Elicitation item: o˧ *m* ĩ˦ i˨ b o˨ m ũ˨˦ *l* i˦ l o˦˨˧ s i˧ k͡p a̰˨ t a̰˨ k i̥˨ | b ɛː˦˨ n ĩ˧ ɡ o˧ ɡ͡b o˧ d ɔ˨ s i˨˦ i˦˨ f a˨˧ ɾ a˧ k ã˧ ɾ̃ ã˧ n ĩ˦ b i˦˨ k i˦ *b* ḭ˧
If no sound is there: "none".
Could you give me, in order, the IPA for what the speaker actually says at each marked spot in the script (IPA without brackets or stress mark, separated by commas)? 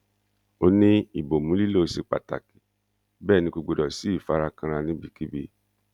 n, l, b